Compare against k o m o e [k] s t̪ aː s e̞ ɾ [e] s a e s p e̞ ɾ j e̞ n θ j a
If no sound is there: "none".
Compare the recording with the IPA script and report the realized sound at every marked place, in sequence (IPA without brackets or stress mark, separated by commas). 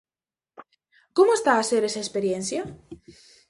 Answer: none, e